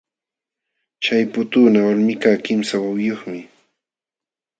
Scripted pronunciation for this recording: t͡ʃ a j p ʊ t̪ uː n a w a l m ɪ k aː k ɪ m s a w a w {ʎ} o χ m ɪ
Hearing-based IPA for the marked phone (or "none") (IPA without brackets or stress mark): j